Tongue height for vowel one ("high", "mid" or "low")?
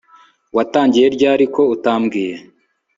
low